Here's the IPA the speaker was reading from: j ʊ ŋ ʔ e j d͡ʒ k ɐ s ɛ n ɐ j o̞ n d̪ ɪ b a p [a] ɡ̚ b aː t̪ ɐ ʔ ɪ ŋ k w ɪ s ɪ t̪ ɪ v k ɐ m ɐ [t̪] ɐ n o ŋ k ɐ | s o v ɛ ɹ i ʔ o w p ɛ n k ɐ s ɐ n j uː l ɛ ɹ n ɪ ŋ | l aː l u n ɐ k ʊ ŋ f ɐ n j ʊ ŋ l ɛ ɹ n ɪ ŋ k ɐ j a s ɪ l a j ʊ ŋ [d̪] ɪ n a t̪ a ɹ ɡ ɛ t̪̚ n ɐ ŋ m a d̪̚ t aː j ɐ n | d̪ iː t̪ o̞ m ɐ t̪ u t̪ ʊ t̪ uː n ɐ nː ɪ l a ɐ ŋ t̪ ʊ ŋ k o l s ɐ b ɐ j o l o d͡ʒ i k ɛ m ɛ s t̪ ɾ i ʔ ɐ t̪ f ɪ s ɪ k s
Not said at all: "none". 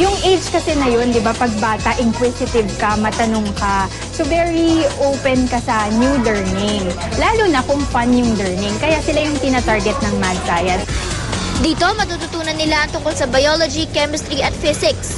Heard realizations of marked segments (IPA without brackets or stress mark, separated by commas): ɐ, t̪, t̪